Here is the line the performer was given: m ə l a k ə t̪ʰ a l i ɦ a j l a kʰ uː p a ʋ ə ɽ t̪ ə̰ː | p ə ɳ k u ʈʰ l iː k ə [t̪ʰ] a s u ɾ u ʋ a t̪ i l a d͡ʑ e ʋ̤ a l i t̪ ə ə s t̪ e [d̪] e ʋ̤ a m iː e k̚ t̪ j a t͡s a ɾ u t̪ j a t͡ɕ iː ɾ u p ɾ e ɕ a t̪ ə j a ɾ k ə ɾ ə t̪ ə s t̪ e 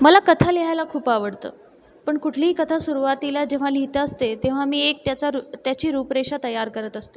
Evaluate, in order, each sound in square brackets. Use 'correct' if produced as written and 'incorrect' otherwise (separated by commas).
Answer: correct, incorrect